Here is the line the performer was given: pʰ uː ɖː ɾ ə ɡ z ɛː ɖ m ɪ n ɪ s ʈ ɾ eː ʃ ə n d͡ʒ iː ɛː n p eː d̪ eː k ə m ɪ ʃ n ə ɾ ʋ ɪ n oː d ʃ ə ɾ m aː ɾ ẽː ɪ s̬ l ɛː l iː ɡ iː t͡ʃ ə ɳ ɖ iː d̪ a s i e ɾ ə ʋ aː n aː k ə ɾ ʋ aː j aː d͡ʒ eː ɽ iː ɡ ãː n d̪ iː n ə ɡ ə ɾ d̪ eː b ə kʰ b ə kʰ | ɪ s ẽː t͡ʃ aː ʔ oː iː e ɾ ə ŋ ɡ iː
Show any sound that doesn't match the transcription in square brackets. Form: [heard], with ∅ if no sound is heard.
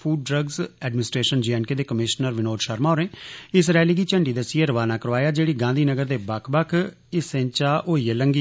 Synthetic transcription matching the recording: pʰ uː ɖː ɾ ə ɡ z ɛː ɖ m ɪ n ɪ s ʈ ɾ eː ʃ ə n d͡ʒ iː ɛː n [k] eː d̪ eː k ə m ɪ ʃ n ə ɾ ʋ ɪ n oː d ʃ ə ɾ m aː ɾ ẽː ɪ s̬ [ɾ] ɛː l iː ɡ iː t͡ʃ ə ɳ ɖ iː d̪ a s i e ɾ ə ʋ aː n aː k ə ɾ ʋ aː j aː d͡ʒ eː ɽ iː ɡ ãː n d̪ iː n ə ɡ ə ɾ d̪ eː b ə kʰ b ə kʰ | ɪ s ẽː t͡ʃ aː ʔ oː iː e [l] ə ŋ ɡ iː